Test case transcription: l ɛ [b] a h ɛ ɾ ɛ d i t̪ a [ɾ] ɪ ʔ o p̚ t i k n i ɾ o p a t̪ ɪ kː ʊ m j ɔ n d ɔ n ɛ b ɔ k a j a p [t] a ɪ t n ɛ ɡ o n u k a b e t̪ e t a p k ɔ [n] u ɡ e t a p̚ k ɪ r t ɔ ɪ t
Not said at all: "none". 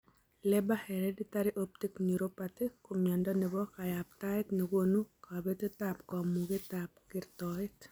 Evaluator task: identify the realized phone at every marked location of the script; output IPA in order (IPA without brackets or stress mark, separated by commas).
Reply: b, ɾ, t, m